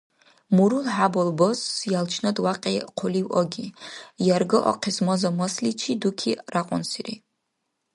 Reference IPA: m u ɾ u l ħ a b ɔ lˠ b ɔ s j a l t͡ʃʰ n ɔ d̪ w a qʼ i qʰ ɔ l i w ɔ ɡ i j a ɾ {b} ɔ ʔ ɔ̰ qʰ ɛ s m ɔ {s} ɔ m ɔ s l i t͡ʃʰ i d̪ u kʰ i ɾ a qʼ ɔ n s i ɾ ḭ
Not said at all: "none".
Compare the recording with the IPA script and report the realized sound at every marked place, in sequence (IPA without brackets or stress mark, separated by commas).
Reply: ɡ, z